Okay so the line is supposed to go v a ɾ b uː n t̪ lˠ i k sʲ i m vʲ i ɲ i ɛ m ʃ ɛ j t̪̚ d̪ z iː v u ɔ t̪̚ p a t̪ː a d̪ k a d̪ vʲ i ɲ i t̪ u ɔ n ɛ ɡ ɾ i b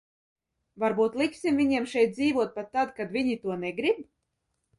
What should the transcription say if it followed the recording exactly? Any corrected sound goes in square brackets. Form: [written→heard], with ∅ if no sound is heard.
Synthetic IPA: v a ɾ b uː [n→∅] t̪ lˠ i k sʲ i m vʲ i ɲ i ɛ m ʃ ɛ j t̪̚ d̪ z iː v u ɔ t̪̚ p a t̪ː a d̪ k a d̪ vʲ i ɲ i t̪ u ɔ n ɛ ɡ ɾ i b

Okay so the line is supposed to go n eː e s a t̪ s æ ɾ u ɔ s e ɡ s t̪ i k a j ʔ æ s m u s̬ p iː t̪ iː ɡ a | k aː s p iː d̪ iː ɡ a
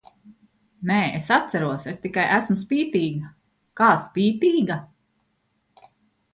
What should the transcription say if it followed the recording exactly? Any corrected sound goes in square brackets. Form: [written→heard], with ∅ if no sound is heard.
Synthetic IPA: n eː e s a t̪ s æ ɾ u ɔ s e [ɡ→∅] s t̪ i k a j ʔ æ s m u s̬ p iː t̪ iː ɡ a | k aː s p iː [d̪→t̪] iː ɡ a

